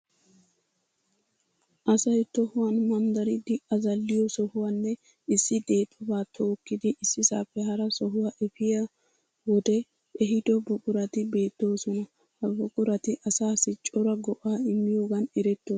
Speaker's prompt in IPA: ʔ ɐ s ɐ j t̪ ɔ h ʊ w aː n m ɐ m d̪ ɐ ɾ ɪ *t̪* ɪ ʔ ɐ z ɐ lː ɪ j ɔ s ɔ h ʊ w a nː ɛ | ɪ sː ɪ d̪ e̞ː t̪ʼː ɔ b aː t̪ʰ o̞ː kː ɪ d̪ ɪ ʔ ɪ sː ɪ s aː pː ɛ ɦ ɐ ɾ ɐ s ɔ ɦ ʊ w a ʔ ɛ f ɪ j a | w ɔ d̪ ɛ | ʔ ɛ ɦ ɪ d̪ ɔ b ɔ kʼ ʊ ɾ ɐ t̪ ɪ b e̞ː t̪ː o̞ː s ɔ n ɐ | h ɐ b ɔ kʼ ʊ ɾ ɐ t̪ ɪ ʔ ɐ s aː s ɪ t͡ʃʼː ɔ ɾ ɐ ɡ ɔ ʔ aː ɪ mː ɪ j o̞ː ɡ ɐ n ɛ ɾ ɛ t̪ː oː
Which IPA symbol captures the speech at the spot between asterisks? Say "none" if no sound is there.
d̪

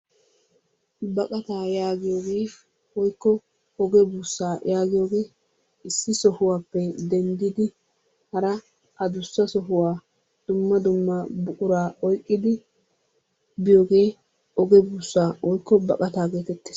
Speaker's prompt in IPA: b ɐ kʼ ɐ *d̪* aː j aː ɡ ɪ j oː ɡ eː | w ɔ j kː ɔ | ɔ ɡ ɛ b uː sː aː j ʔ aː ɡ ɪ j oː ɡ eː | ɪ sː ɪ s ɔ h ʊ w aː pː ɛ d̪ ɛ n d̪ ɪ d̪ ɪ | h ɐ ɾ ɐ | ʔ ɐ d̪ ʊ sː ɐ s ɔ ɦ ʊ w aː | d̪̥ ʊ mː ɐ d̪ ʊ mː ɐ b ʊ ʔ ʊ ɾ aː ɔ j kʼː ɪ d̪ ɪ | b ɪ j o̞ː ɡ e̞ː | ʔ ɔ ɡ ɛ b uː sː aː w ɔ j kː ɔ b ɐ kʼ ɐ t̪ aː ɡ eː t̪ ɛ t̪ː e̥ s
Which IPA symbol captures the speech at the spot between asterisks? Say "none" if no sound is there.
t̪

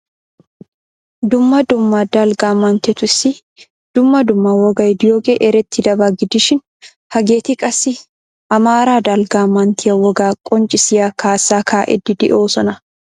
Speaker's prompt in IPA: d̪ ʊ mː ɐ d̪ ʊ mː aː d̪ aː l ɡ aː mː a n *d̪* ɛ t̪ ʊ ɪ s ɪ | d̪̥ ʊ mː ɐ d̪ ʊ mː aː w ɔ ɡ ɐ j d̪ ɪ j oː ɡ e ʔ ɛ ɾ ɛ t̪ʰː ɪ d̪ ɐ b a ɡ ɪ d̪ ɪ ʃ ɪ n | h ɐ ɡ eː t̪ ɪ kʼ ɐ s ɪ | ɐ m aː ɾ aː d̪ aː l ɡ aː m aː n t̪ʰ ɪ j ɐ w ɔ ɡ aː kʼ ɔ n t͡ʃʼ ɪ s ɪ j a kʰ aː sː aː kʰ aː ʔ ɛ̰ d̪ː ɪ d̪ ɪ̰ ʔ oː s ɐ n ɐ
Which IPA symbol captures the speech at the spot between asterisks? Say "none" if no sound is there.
t̪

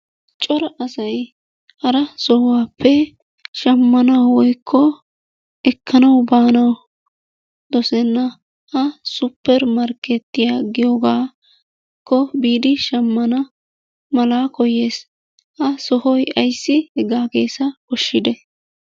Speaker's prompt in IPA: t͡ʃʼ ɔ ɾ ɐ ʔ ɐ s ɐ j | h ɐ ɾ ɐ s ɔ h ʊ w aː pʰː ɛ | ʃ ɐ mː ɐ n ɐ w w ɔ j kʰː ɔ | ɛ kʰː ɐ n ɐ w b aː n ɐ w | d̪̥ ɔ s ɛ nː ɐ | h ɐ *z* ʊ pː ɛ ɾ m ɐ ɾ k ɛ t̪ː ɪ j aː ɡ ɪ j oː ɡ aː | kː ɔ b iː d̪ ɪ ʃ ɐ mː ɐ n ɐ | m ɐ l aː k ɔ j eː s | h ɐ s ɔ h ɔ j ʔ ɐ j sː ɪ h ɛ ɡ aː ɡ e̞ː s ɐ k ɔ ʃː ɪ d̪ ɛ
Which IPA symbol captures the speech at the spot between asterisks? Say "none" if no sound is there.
s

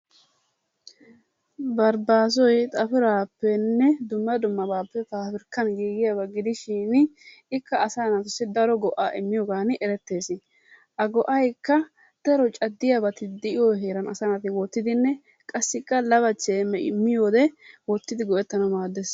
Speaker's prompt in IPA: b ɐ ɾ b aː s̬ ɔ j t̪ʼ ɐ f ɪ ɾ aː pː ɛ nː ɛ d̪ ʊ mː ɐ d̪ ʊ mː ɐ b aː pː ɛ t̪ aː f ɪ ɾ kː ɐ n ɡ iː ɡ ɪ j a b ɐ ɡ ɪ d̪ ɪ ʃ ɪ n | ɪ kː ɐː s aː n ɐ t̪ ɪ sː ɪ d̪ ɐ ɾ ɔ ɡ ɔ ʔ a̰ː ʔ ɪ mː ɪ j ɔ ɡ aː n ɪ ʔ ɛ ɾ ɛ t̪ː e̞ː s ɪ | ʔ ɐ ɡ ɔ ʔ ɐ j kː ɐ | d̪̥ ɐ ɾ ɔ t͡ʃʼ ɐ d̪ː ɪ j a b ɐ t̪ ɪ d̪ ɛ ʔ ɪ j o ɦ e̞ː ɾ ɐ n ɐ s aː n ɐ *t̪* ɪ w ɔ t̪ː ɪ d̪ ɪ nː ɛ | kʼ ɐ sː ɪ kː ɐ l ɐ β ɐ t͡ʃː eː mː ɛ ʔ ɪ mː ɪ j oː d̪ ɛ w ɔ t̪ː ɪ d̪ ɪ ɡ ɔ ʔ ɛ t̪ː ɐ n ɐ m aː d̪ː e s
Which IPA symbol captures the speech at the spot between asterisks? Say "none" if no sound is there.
t̪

